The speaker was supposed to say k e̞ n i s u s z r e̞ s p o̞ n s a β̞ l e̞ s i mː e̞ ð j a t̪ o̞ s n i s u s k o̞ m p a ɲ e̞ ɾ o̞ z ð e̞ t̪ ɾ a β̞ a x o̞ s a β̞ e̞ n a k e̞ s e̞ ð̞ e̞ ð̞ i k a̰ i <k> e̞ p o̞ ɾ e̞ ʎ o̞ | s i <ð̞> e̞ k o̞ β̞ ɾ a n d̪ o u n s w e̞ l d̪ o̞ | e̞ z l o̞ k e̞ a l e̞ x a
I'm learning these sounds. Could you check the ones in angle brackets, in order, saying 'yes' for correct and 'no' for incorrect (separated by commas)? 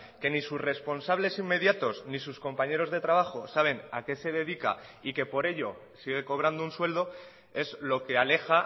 yes, no